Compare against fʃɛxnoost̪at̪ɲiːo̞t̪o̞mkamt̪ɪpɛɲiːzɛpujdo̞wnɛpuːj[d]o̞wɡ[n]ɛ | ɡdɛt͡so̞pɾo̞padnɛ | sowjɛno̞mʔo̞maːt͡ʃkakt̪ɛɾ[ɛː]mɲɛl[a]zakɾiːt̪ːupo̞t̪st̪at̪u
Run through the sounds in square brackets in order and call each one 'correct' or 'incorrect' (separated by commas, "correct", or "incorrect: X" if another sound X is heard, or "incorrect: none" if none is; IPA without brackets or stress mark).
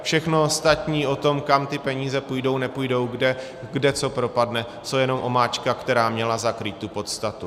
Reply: correct, incorrect: d, incorrect: aː, correct